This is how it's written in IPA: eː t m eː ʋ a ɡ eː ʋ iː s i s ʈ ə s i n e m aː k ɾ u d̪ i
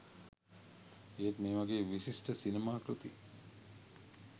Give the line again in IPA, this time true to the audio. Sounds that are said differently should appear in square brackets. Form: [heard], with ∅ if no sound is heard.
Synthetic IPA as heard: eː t m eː ʋ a ɡ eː ʋ [i] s i s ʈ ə s i n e m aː k ɾ u [t̪] i